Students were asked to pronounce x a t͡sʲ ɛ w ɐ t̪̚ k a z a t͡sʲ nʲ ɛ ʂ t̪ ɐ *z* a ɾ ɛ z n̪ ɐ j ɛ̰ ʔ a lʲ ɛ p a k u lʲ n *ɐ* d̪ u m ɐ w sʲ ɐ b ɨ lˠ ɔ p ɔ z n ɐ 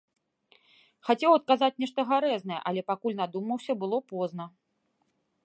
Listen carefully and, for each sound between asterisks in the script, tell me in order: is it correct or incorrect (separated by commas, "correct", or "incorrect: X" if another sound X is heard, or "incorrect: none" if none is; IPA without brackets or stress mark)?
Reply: incorrect: ɣ, incorrect: a